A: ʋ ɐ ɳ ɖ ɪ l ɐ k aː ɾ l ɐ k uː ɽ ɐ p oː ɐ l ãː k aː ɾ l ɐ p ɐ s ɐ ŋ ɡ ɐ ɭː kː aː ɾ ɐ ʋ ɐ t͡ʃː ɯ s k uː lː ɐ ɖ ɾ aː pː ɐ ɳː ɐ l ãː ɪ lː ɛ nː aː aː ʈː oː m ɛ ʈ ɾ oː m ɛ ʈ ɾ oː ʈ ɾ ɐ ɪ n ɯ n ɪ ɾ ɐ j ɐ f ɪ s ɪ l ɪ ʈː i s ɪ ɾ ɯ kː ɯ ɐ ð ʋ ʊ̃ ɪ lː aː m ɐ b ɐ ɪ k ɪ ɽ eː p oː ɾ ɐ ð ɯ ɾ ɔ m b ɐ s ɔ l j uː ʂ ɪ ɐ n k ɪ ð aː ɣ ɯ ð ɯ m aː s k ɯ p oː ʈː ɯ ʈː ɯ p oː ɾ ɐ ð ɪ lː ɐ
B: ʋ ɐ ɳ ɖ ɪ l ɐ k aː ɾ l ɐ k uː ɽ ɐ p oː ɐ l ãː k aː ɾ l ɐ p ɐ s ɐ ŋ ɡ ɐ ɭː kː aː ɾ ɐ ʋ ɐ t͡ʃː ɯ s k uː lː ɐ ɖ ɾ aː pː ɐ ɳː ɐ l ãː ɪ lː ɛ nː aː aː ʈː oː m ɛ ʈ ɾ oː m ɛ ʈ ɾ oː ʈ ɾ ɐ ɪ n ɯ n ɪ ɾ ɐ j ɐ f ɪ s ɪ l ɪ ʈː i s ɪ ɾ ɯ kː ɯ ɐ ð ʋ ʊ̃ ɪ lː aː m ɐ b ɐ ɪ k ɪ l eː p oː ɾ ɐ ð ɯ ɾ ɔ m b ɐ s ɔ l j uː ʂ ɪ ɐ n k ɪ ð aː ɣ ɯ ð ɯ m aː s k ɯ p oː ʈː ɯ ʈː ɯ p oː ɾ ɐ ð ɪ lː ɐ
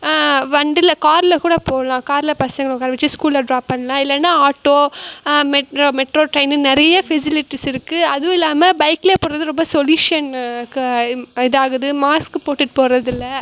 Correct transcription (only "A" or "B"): B